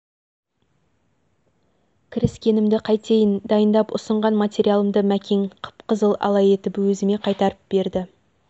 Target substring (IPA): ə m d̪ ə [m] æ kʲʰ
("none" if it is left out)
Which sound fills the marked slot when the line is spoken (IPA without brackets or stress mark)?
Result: m